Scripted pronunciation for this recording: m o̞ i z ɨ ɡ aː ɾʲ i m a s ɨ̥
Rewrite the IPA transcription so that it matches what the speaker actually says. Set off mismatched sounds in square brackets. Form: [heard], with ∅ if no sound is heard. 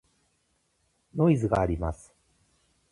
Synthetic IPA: [n] o̞ i z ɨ ɡ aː ɾʲ i m a s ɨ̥